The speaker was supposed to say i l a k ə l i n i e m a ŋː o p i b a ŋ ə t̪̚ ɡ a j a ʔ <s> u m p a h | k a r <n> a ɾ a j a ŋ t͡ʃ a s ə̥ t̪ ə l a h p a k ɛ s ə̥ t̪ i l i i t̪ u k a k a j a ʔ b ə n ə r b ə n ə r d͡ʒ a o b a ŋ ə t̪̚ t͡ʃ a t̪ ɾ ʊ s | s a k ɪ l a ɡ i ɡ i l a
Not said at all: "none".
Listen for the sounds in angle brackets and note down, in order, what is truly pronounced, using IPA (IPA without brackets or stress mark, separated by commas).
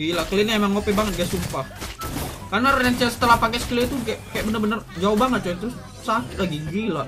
s, n